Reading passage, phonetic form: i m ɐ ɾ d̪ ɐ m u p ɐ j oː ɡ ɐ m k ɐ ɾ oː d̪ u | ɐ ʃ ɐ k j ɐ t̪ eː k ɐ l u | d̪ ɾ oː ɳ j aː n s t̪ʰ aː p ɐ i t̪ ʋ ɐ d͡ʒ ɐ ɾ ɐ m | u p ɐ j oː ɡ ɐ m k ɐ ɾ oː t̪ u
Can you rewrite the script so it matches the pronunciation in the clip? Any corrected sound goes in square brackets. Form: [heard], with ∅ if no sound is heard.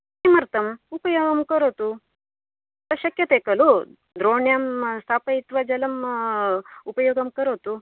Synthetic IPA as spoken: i m ɐ ɾ [t̪] ɐ m u p ɐ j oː ɡ ɐ m k ɐ ɾ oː [t̪] u | ɐ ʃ ɐ k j ɐ t̪ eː k ɐ l u | d̪ ɾ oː ɳ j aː [m] s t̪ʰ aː p ɐ i t̪ ʋ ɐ d͡ʒ ɐ [l] ɐ m | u p ɐ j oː ɡ ɐ m k ɐ ɾ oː t̪ u

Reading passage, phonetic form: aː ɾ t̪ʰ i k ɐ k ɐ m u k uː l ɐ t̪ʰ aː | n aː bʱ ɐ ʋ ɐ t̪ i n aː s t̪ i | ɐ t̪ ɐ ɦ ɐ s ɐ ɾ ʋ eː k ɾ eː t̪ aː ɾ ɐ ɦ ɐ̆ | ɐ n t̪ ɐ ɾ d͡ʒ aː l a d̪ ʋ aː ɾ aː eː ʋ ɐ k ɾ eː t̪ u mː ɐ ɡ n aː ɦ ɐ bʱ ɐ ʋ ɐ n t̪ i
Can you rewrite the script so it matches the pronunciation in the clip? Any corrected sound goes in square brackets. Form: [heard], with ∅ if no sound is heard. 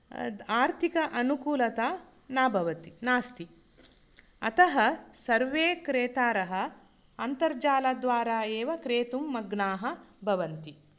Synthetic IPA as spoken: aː ɾ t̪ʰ i k ɐ [ʔ] ɐ [n] u k uː l ɐ [t̪] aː | n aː bʱ ɐ ʋ ɐ t̪ i n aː s t̪ i | ɐ t̪ ɐ ɦ ɐ s ɐ ɾ ʋ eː k ɾ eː t̪ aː ɾ ɐ ɦ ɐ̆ | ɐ n t̪ ɐ ɾ d͡ʒ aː l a d̪ ʋ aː ɾ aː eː ʋ ɐ k ɾ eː t̪ u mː ɐ ɡ n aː ɦ ɐ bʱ ɐ ʋ ɐ n t̪ i

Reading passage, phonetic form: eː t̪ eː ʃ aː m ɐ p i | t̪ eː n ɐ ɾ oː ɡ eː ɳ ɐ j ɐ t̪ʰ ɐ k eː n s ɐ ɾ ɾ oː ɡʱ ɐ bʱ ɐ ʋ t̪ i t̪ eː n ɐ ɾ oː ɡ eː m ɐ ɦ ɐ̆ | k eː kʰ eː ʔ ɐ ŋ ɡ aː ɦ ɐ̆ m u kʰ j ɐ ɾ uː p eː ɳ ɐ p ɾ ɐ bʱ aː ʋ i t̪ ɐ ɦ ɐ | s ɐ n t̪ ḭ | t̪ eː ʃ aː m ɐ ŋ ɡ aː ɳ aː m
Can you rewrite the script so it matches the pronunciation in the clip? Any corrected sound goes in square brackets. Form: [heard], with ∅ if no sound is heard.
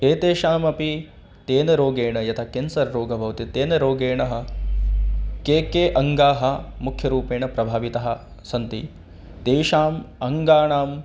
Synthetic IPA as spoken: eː t̪ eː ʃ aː m ɐ p i | t̪ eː n ɐ ɾ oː ɡ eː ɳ ɐ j ɐ t̪ʰ ɐ k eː n s ɐ ɾ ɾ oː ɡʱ ɐ bʱ ɐ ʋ t̪ i t̪ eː n ɐ ɾ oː ɡ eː [ɳ] ɐ ɦ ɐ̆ | k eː [k] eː ʔ ɐ ŋ ɡ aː ɦ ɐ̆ m u kʰ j ɐ ɾ uː p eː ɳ ɐ p ɾ ɐ bʱ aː ʋ i t̪ ɐ ɦ ɐ | s ɐ n t̪ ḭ | t̪ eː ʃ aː m ɐ ŋ ɡ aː ɳ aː m

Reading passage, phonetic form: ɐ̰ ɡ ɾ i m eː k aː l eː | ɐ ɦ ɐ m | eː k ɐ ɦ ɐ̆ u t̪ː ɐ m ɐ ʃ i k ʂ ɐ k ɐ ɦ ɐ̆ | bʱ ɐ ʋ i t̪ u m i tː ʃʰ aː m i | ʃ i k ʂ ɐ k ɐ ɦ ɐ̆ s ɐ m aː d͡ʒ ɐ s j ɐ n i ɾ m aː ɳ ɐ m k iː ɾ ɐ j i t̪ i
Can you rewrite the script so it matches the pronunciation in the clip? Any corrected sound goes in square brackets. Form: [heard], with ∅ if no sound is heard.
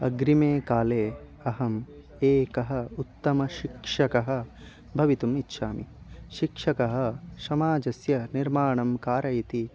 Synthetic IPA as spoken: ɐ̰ ɡ ɾ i m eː k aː l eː | ɐ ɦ ɐ m | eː k ɐ ɦ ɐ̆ u t̪ː ɐ m ɐ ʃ i k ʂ ɐ k ɐ ɦ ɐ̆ | bʱ ɐ ʋ i t̪ u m i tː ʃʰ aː m i | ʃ i k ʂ ɐ k ɐ ɦ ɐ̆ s ɐ m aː d͡ʒ ɐ s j ɐ n i ɾ m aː ɳ ɐ m k [aː] ɾ ɐ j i t̪ i

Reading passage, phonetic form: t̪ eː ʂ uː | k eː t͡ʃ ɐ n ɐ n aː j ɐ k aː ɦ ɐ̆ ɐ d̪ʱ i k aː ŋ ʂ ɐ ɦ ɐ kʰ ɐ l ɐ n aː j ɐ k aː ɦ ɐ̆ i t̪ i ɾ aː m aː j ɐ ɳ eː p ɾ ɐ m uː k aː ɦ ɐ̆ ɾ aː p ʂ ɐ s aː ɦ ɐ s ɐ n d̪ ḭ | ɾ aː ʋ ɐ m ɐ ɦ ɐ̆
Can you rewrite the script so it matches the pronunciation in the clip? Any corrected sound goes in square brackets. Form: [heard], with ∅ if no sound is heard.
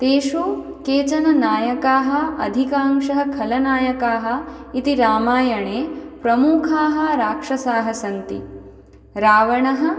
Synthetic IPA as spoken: t̪ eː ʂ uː | k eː t͡ʃ ɐ n ɐ n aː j ɐ k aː ɦ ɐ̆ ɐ d̪ʱ i k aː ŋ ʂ ɐ ɦ ɐ kʰ ɐ l ɐ n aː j ɐ k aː ɦ ɐ̆ i t̪ i ɾ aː m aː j ɐ ɳ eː p ɾ ɐ m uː [kʰ] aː ɦ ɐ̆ ɾ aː [k] ʂ ɐ s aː ɦ ɐ s ɐ n [t̪] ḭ | ɾ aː ʋ ɐ [ɳ] ɐ ɦ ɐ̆

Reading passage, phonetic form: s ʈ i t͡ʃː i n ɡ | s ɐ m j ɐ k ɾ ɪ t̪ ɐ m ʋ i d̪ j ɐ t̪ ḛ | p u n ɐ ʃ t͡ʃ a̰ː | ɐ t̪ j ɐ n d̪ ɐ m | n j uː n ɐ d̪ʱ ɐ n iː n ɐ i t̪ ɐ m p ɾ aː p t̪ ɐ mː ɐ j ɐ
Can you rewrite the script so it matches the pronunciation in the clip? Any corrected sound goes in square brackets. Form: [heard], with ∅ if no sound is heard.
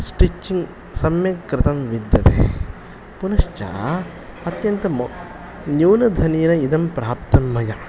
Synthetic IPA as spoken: s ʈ i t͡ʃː i [ŋ] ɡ | s ɐ m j ɐ k ɾ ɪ t̪ ɐ m ʋ i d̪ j ɐ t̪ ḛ | p u n ɐ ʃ t͡ʃ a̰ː | ɐ t̪ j ɐ n [t̪] ɐ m | n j uː n ɐ d̪ʱ ɐ n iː n ɐ i [d̪] ɐ m p ɾ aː p t̪ ɐ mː ɐ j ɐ

